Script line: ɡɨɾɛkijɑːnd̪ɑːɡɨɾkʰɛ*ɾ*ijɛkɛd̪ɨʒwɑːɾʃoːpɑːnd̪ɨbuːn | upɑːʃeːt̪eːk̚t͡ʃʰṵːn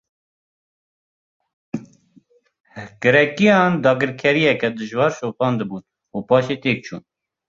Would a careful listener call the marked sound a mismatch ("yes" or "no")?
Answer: no